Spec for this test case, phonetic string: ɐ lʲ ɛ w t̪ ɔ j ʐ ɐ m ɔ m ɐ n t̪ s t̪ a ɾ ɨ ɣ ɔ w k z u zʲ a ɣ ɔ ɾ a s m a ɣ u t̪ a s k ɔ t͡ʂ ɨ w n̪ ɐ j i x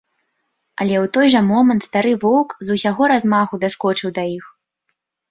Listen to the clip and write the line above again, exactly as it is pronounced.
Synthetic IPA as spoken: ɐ lʲ ɛ w t̪ ɔ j ʐ ɐ m ɔ m ɐ n t̪ s t̪ a ɾ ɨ v ɔ w k z u sʲ a ɣ ɔ ɾ a z m a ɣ u d̪ a s k ɔ t͡ʂ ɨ w d̪ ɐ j i x